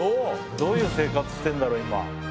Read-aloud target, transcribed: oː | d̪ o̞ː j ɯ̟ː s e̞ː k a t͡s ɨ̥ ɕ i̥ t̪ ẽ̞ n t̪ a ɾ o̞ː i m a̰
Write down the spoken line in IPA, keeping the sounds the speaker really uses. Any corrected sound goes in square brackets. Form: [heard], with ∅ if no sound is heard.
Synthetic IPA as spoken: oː | d̪ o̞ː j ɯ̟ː s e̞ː k a t͡s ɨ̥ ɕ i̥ t̪ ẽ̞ n [d̪] a ɾ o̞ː i m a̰